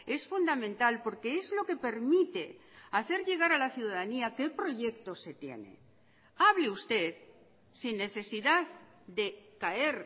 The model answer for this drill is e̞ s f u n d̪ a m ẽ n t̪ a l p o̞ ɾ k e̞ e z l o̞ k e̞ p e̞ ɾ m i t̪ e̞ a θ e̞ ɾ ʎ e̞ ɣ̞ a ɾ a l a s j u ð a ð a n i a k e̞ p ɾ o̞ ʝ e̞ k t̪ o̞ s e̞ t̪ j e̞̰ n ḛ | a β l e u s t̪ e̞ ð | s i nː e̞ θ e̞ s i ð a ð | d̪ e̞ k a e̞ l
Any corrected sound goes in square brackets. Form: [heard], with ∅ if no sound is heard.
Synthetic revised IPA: e̞ s f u n d̪ a m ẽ n t̪ a l p o̞ ɾ k e̞ e z l o̞ k e̞ p e̞ ɾ m i t̪ e̞ a θ e̞ ɾ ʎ e̞ ɣ̞ a ɾ a l a [θ] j u ð a ð a n i a k e̞ p ɾ o̞ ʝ e̞ k t̪ o̞ s e̞ t̪ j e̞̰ n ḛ | a β l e u s t̪ e̞ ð | s i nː e̞ θ e̞ s i ð a ð | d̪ e̞ k a e̞ [ɾ]